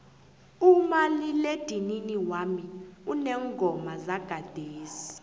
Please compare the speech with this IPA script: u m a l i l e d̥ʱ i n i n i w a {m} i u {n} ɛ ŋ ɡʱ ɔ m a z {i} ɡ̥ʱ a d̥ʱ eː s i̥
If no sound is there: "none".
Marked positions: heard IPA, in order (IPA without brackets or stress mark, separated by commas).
m, n, a